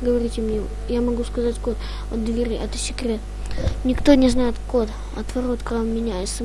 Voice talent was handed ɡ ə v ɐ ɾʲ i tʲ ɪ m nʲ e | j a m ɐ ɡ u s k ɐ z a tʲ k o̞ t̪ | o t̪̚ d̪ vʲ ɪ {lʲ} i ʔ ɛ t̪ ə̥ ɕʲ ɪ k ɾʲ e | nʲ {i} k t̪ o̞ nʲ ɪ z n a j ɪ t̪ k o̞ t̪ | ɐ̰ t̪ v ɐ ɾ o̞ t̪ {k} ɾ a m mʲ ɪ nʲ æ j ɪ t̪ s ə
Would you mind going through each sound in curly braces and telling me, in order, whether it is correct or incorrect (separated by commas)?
incorrect, incorrect, correct